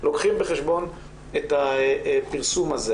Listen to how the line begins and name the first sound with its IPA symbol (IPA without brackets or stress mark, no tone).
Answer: l